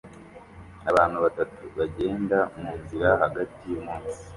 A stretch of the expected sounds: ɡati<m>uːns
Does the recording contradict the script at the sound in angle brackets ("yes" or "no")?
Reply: no